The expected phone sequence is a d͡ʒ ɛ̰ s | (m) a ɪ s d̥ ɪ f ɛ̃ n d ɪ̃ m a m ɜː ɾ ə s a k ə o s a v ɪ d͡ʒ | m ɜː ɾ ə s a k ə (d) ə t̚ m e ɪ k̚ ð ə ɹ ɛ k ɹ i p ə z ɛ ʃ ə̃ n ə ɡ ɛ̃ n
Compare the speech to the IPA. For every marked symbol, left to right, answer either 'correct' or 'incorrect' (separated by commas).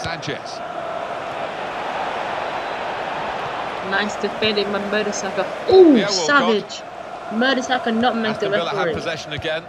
incorrect, incorrect